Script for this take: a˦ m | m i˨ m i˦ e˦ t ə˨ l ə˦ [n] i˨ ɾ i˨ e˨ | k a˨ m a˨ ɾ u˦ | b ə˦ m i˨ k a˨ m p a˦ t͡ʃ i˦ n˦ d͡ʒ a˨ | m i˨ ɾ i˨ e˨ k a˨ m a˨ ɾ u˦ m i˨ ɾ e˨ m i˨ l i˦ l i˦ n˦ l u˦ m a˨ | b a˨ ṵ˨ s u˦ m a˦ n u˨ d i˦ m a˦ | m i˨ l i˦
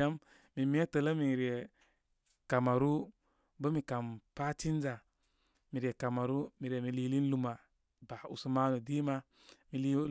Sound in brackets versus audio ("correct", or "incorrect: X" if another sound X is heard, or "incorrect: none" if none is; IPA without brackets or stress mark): incorrect: m